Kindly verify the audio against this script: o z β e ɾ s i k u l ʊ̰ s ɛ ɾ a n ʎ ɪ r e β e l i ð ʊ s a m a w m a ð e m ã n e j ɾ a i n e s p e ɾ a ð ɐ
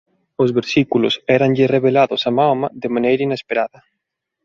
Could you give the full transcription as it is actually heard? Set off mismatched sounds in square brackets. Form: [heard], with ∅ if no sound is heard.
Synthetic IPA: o z β e ɾ s i k u l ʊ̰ s ɛ ɾ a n ʎ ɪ r e β e l [a] ð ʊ s a m a w m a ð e m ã n e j ɾ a i n e s p e ɾ a ð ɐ